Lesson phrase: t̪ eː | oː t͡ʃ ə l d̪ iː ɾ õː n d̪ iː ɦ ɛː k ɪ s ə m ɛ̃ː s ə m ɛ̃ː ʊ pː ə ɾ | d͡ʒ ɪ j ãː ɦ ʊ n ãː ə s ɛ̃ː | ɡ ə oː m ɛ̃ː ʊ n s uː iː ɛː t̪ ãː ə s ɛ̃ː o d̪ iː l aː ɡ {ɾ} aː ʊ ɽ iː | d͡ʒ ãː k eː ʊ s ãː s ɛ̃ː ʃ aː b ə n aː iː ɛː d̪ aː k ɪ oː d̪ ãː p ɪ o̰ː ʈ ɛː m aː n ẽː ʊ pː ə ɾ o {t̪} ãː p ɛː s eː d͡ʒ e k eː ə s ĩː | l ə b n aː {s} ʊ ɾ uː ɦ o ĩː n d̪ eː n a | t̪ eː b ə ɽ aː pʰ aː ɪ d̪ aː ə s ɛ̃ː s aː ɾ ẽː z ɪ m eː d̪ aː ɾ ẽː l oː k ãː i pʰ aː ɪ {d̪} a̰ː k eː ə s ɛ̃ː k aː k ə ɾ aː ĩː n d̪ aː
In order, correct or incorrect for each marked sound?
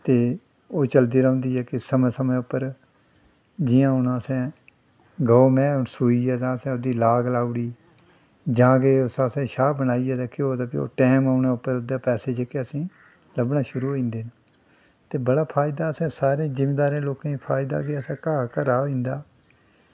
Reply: incorrect: l, incorrect: d̪, incorrect: ʃ, correct

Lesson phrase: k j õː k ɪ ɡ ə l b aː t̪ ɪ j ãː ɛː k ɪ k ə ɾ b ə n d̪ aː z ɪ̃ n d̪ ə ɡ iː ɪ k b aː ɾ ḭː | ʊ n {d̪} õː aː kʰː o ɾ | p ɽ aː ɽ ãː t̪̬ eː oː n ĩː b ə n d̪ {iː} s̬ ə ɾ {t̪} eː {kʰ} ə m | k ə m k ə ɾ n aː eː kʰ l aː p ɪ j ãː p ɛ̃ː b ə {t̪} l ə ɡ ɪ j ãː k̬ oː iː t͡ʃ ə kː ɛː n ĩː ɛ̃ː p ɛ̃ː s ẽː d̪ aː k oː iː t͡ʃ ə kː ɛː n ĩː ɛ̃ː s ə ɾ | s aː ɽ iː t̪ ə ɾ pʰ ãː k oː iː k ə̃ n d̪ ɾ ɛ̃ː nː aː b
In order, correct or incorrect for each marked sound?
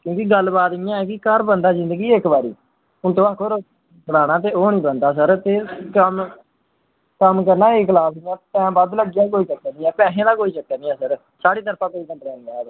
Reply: incorrect: t̪, incorrect: aː, correct, incorrect: k, incorrect: d̪

